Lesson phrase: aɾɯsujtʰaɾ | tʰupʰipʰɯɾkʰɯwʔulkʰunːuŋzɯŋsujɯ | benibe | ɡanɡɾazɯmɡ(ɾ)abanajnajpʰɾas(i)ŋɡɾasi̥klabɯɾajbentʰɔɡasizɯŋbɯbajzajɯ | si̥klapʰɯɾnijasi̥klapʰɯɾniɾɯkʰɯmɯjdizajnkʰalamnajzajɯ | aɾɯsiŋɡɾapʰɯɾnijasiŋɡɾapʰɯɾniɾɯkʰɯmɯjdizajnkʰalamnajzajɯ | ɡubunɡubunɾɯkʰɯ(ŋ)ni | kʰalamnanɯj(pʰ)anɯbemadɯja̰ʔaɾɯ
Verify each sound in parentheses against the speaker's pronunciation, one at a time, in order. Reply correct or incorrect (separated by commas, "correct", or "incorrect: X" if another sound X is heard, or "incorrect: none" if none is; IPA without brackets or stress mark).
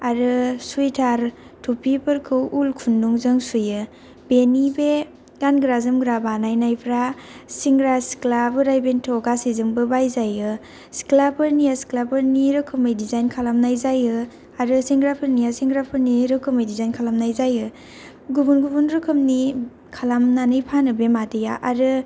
correct, correct, incorrect: m, correct